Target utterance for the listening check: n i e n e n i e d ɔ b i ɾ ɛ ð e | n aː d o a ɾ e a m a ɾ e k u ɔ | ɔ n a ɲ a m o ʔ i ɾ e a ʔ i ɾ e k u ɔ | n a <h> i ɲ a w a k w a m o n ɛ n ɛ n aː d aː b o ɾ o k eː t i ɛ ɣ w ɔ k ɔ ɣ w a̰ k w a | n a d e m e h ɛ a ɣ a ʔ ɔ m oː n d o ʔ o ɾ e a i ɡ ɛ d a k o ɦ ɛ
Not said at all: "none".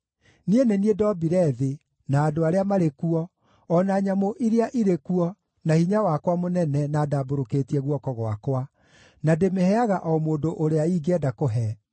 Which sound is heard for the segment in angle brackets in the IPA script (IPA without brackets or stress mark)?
h